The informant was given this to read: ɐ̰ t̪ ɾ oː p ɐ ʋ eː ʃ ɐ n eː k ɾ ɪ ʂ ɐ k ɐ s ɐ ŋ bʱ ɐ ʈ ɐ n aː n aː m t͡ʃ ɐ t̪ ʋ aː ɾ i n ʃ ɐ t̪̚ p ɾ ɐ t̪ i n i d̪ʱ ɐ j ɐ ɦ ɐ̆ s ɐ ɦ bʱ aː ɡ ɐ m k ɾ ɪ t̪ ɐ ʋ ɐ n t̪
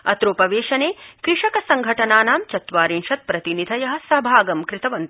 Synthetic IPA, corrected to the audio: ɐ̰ t̪ ɾ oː p ɐ ʋ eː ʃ ɐ n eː k ɾ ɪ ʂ ɐ k ɐ s ɐ ŋ ɡʱ ɐ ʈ ɐ n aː n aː m t͡ʃ ɐ t̪ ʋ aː ɾ i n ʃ ɐ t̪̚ p ɾ ɐ t̪ i n i d̪ʱ ɐ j ɐ ɦ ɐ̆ s ɐ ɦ bʱ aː ɡ ɐ m k ɾ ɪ t̪ ɐ ʋ ɐ n t̪